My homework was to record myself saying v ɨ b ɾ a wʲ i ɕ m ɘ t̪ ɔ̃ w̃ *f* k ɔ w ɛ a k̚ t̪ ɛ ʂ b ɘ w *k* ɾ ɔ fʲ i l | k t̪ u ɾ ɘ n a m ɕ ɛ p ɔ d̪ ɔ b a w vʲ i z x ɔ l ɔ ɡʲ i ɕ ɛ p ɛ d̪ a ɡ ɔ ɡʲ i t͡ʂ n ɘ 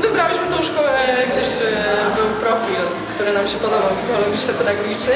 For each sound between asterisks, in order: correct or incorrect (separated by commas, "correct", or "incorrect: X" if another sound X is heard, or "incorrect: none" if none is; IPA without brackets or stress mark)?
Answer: incorrect: ʂ, incorrect: p